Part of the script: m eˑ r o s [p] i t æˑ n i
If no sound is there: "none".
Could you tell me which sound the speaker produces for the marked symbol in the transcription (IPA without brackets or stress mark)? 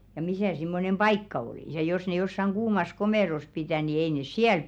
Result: p